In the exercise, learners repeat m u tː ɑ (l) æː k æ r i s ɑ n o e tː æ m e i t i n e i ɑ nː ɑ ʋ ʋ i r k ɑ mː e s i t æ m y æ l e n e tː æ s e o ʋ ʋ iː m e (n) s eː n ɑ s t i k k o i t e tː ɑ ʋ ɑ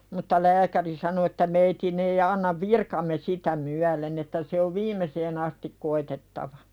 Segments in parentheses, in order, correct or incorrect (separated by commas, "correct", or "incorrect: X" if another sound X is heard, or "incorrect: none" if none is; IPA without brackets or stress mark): correct, incorrect: none